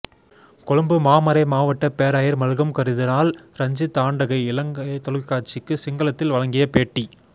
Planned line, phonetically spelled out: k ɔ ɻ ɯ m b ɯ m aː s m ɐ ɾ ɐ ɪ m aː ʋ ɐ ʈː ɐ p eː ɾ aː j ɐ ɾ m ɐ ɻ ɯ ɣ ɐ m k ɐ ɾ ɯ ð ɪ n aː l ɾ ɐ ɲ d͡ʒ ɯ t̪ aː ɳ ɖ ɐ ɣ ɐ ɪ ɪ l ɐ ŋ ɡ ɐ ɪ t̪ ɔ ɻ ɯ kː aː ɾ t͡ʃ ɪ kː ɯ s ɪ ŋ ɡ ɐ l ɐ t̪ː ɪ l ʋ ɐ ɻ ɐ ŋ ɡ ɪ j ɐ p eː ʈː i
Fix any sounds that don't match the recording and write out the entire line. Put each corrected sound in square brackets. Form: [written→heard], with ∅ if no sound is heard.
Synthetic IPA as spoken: k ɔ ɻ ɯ m b ɯ m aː [s→∅] m ɐ ɾ ɐ ɪ m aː ʋ ɐ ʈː ɐ p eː ɾ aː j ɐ ɾ m ɐ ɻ ɯ ɣ ɐ m k ɐ ɾ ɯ ð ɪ n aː l ɾ ɐ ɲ d͡ʒ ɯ t̪ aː ɳ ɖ ɐ ɣ ɐ ɪ ɪ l ɐ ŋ ɡ ɐ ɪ t̪ ɔ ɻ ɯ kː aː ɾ t͡ʃ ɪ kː ɯ s ɪ ŋ ɡ ɐ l ɐ t̪ː ɪ l ʋ ɐ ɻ ɐ ŋ ɡ ɪ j ɐ p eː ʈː i